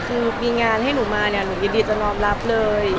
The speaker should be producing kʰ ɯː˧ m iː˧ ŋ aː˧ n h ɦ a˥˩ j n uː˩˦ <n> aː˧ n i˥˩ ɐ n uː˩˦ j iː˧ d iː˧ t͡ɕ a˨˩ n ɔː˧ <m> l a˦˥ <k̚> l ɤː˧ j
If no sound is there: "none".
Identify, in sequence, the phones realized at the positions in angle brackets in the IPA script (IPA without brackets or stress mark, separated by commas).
m, m, p̚